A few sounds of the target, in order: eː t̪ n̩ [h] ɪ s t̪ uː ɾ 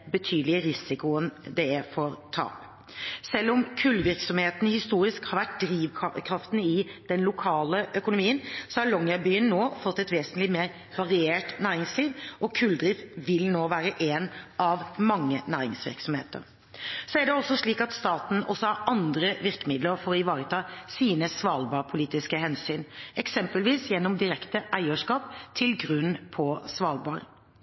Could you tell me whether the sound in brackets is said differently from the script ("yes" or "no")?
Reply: no